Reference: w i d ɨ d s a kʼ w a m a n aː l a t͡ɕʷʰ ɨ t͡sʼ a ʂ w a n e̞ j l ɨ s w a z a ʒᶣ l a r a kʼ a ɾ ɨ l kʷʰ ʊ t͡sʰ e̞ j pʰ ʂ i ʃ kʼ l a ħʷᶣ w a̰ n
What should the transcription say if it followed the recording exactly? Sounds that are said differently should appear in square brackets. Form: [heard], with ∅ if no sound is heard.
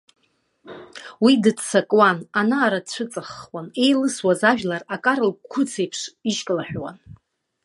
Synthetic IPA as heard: w i d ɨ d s a kʼ w a [n] a n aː [ɾ] a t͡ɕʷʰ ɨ t͡sʼ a [χ] w a n e̞ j l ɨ s w a z a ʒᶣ l a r a kʼ a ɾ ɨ l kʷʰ ʊ t͡sʰ e̞ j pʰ ʂ i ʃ kʼ l a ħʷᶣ w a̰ n